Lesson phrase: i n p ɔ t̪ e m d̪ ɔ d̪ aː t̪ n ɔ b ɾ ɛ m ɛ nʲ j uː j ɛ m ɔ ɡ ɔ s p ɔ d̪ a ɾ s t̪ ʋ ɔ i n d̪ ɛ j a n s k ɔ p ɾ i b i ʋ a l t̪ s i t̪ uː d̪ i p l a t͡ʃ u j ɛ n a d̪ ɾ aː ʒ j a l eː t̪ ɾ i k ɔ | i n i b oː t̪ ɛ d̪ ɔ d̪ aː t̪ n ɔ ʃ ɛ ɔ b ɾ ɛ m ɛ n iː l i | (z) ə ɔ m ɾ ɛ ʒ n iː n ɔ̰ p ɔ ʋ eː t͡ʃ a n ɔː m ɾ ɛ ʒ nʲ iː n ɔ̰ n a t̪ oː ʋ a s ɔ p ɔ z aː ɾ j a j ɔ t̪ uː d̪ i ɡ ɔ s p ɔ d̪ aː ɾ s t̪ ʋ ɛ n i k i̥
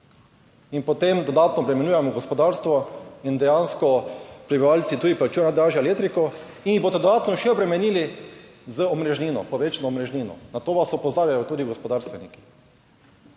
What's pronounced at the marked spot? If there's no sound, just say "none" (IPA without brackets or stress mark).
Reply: z